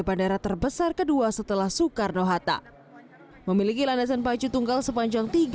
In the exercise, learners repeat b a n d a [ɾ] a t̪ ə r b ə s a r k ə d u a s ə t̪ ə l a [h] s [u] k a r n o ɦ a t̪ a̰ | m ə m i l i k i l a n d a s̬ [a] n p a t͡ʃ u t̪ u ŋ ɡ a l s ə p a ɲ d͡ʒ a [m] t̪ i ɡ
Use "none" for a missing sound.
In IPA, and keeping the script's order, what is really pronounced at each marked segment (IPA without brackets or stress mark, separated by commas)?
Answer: ɾ, h, u, a, ŋ